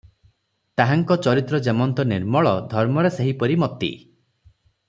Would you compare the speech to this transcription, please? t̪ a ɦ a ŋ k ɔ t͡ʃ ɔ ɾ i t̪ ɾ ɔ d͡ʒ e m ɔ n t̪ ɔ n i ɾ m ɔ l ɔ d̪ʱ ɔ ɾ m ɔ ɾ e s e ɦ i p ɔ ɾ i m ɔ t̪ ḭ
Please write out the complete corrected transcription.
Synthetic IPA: t̪ a ɦ a ŋ k ɔ t͡ʃ ɔ ɾ i t̪ ɾ ɔ d͡ʒ e m ɔ n t̪ ɔ n i ɾ m ɔ ɭ ɔ d̪ʱ ɔ ɾ m ɔ ɾ e s e ɦ i p ɔ ɾ i m ɔ t̪ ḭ